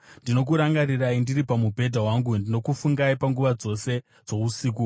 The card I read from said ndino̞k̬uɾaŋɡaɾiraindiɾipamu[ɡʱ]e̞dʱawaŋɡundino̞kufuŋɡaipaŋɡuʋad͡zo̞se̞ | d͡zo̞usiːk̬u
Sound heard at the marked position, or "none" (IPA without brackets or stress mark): bʱ